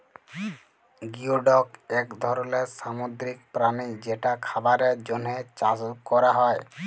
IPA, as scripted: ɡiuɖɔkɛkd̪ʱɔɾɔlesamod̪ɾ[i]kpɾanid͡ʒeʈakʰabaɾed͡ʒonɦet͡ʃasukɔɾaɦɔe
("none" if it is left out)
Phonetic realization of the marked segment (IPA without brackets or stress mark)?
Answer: i